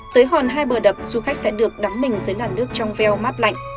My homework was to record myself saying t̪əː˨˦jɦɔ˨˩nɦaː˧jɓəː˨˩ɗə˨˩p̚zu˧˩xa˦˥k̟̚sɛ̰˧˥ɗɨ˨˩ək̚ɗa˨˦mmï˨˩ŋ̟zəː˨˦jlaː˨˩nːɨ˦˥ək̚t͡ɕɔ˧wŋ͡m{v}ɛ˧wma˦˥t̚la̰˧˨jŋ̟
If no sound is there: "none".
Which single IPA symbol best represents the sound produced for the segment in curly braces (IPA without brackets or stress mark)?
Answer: v